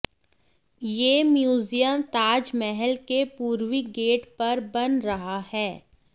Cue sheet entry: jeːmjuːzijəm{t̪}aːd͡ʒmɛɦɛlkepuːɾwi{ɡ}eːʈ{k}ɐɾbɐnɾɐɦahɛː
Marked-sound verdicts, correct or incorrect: correct, correct, incorrect: p

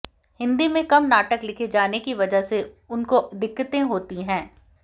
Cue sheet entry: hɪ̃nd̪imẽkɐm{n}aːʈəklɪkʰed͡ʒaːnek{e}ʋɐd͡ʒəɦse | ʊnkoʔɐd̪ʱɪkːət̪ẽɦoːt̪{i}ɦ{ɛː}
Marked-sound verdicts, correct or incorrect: correct, incorrect: i, correct, incorrect: ɛ̃ː

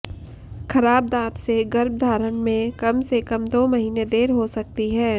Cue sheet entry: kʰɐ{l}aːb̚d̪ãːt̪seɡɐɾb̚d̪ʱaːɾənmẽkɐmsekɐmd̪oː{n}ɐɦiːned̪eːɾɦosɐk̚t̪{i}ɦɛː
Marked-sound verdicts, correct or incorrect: incorrect: ɾ, incorrect: m, correct

